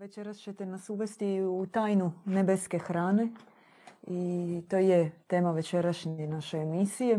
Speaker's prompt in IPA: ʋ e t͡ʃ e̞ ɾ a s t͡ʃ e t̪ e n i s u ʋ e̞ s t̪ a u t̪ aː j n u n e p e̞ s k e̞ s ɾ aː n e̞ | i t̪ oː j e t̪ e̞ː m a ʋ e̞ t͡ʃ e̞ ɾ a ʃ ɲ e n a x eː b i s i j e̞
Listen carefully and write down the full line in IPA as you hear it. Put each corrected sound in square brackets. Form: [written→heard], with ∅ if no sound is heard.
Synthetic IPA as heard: ʋ e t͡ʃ e̞ ɾ a s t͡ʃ e t̪ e n [i→a] s u ʋ e̞ s t̪ [a→i] u t̪ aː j n u n e [p→b] e̞ s k e̞ [s→x] ɾ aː n e̞ | i t̪ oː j e t̪ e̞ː m a ʋ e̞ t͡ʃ e̞ ɾ a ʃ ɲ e n a [x→ʃ] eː [b→m] i s i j e̞